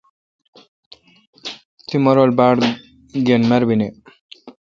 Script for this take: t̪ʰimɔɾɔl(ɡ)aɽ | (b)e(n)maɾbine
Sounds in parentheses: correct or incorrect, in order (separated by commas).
incorrect, incorrect, correct